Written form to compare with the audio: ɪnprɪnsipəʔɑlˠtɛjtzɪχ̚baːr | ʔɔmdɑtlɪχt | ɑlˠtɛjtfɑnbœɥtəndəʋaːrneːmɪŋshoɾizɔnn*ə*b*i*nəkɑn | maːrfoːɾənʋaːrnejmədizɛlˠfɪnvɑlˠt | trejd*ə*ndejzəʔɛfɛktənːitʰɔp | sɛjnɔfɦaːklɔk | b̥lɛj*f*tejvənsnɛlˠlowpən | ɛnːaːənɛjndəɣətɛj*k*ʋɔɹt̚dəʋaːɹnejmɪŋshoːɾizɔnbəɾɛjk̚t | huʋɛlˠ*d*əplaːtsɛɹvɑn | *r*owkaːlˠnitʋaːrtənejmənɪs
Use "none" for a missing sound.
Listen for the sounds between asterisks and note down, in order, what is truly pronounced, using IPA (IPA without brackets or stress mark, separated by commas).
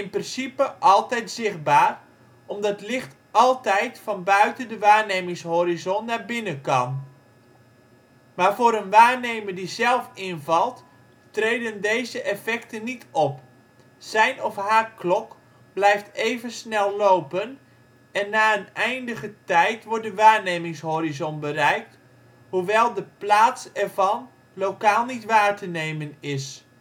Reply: a, ɪ, ə, f, t, d, l